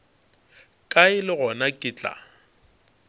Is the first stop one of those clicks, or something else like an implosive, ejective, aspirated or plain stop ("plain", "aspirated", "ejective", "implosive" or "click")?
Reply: ejective